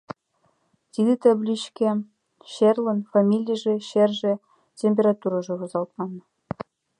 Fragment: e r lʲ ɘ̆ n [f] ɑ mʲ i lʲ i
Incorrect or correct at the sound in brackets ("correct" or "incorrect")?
correct